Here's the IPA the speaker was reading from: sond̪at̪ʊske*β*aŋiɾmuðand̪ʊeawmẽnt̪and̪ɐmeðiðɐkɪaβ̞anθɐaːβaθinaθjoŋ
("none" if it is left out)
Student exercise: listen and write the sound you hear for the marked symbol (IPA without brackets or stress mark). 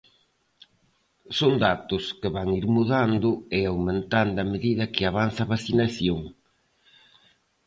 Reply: β